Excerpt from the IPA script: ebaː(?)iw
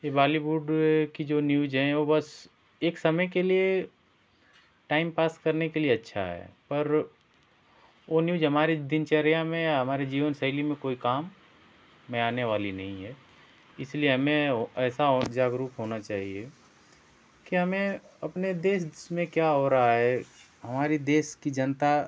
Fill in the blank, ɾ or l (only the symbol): l